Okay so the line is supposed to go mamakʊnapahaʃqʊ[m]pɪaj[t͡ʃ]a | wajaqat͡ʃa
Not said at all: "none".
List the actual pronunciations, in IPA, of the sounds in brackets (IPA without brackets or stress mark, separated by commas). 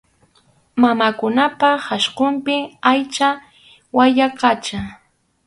m, t͡ʃ